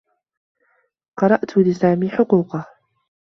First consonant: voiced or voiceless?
voiceless